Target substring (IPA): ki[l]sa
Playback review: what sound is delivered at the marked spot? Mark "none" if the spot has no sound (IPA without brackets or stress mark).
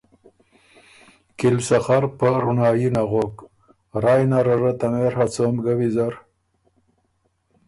l